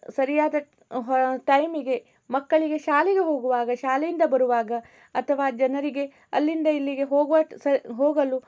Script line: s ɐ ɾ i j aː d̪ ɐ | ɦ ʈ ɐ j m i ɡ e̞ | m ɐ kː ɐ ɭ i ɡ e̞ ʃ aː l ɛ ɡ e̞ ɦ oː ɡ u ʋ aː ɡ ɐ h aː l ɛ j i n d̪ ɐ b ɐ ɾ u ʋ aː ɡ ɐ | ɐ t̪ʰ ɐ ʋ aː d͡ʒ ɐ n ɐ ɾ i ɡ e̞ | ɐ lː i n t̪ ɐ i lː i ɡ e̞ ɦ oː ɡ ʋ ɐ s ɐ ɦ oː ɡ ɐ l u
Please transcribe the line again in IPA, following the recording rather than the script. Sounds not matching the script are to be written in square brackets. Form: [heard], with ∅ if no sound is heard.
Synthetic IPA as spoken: s ɐ ɾ i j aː d̪ ɐ | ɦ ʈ ɐ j m i ɡ e̞ | m ɐ kː ɐ ɭ i ɡ e̞ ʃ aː l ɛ ɡ e̞ ɦ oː ɡ u ʋ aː ɡ ɐ [ʃ] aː l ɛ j i n d̪ ɐ b ɐ ɾ u ʋ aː ɡ ɐ | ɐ t̪ʰ ɐ ʋ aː d͡ʒ ɐ n ɐ ɾ i ɡ e̞ | ɐ lː i n [d̪] ɐ i lː i ɡ e̞ ɦ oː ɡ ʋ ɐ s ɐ ɦ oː ɡ ɐ l u